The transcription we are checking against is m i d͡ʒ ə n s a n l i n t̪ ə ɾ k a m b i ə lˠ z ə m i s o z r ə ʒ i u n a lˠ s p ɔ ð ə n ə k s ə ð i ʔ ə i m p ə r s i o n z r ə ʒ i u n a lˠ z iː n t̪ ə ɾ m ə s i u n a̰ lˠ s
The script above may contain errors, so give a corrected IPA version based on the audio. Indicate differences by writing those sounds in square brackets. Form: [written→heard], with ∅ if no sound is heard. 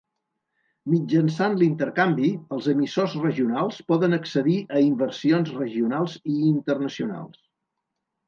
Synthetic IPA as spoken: m i d͡ʒ ə n s a n l i n t̪ ə ɾ k a m b i ə lˠ z ə m i s o z r ə ʒ i u n a lˠ s p ɔ ð ə n ə k s ə ð i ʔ ə i m [p→b] ə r s i o n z r ə ʒ i u n a lˠ z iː n t̪ ə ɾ [m→n] ə s i u n a̰ lˠ s

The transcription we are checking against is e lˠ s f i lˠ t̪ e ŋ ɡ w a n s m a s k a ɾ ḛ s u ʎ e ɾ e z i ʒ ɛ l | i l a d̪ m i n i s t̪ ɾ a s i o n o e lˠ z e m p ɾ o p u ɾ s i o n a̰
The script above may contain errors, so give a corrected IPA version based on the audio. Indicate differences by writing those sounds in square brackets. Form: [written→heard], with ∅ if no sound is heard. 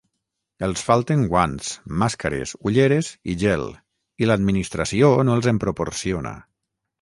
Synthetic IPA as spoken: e lˠ s f [i→a] lˠ t̪ e ŋ ɡ w a n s m a s k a ɾ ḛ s u ʎ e ɾ e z i ʒ ɛ l | i l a d̪ m i n i s t̪ ɾ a s i o n o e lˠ z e m p ɾ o p [u→o] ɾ s i o n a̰

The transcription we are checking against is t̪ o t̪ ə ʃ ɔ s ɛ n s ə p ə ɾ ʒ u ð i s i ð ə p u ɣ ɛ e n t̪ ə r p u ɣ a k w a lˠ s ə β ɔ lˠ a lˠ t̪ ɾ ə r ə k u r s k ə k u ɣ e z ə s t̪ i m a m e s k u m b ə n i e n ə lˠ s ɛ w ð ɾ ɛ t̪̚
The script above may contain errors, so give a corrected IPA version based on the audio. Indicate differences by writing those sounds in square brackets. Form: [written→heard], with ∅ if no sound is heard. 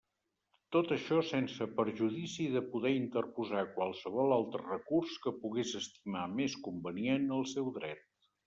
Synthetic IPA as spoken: t̪ o t̪ ə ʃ ɔ s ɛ n s ə p ə ɾ ʒ u ð i s i ð ə p u [ɣ→ð] ɛ [e→i] n t̪ ə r p u [ɣ→z] a k w a lˠ s ə β ɔ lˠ a lˠ t̪ ɾ ə r ə k u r s k ə [k→p] u ɣ e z ə s t̪ i m a m e s k u m b ə n i e n ə lˠ s ɛ w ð ɾ ɛ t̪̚

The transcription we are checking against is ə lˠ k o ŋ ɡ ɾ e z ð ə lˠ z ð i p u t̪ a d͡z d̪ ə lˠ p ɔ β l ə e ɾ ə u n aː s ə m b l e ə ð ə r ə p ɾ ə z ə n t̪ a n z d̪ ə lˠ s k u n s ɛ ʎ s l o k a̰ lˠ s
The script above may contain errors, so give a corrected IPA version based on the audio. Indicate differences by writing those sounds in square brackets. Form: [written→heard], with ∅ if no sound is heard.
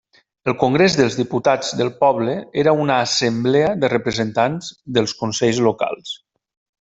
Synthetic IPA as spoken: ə lˠ k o ŋ ɡ ɾ e z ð ə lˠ z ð i p u t̪ a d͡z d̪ ə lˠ p ɔ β l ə e ɾ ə u n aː s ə m b l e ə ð ə r ə p ɾ ə z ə n t̪ a n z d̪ ə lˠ s k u n s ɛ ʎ [s→z] l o k a̰ lˠ s

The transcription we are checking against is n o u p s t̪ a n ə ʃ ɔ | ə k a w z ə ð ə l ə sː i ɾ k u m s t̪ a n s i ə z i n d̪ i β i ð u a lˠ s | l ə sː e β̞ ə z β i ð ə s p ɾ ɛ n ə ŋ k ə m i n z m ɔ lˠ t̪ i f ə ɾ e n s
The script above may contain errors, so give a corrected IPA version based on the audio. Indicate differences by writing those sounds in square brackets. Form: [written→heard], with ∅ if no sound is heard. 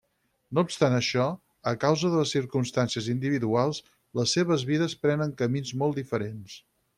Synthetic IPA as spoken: n o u p s t̪ a n ə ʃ ɔ | ə k a w z ə ð ə l ə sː i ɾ k u m s t̪ a n s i ə z i n d̪ i β i ð u a lˠ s | l ə sː e β̞ ə z β i ð ə s p ɾ ɛ n ə ŋ k ə m i n z m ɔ lˠ [t̪→d̪] i f ə ɾ e n s

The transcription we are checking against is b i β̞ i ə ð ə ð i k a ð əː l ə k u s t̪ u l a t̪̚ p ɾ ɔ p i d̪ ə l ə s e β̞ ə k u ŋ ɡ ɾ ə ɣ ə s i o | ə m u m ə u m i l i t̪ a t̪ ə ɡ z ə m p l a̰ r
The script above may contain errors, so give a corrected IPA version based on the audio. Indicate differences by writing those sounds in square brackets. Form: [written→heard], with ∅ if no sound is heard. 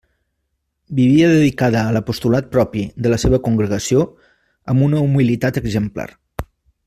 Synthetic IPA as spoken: b i β̞ i ə ð ə ð i k a ð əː l ə [k→p] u s t̪ u l a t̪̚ p ɾ ɔ p i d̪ ə l ə s e β̞ ə k u ŋ ɡ ɾ ə ɣ ə s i o | ə m u [m→n] ə u m i l i t̪ a t̪ ə ɡ z ə m p l a̰ r

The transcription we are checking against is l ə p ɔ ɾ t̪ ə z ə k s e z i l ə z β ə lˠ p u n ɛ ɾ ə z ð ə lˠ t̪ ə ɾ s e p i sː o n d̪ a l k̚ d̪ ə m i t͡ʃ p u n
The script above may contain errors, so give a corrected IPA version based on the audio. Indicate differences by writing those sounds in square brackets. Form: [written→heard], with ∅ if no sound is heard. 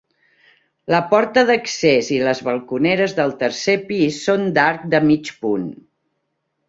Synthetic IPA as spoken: l ə p ɔ ɾ t̪ ə [z→ð] ə k s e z i l ə z β ə lˠ [p→k] u n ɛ ɾ ə z ð ə lˠ t̪ ə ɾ s e p i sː o n d̪ a [l→ɾ] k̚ d̪ ə m i t͡ʃ p u n

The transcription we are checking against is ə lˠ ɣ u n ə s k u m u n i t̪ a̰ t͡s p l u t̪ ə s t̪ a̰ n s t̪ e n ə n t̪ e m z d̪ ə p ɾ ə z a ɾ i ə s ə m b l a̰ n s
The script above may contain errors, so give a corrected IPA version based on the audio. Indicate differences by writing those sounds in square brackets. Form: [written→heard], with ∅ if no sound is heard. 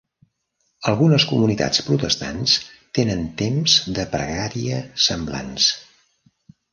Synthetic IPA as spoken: ə lˠ ɣ u n ə s k u m u n i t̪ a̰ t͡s p [l→ɾ] u t̪ ə s t̪ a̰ n s t̪ e n ə n t̪ e m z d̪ ə p ɾ ə [z→ɣ] a ɾ i ə s ə m b l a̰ n s

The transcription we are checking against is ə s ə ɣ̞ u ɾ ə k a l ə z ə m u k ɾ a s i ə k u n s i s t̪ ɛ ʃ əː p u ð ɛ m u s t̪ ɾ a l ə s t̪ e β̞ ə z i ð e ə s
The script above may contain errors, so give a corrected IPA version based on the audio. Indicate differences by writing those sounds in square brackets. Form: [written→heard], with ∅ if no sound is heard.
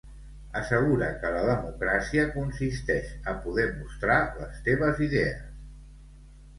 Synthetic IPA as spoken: ə s ə ɣ̞ u ɾ ə k [a→ə] l ə [z→ð] ə m u k ɾ a s i ə k u n s i s t̪ ɛ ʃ [əː→ə] p u ð ɛ m u s t̪ ɾ a l ə s t̪ e β̞ ə z i ð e ə s

